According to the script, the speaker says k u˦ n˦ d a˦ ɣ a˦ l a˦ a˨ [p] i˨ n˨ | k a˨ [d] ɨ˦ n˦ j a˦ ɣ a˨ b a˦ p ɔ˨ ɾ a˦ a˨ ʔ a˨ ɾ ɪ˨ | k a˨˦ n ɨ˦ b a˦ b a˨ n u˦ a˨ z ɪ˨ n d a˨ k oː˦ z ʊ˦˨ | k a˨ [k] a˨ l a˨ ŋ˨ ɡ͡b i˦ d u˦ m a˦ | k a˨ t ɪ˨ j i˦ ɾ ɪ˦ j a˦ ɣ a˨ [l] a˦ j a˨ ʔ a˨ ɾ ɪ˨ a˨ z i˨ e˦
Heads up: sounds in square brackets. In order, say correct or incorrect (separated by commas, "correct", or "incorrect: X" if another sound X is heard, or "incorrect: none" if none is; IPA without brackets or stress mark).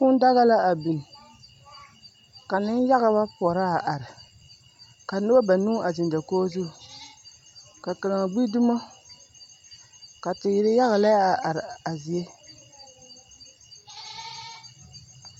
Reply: incorrect: b, incorrect: n, correct, correct